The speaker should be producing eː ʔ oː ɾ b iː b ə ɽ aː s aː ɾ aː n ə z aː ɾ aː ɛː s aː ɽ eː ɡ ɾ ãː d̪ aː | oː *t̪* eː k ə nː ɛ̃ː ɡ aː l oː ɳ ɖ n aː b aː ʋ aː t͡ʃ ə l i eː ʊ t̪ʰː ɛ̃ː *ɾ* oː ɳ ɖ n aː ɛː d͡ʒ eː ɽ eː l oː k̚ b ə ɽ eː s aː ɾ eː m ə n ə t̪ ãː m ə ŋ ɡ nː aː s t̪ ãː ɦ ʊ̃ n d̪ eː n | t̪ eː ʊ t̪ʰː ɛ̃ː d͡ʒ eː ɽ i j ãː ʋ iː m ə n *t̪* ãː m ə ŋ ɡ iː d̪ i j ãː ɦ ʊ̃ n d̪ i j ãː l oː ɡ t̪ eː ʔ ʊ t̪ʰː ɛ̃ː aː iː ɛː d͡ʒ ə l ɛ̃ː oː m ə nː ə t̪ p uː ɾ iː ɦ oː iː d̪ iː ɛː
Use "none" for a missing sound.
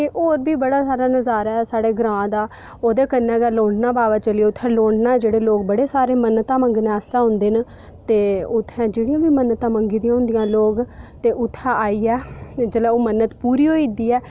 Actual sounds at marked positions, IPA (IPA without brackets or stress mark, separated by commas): d̪, l, t̪